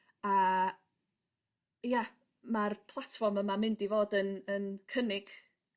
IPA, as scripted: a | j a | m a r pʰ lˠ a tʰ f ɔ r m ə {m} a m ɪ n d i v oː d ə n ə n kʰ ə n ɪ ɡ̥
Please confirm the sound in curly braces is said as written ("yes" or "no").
yes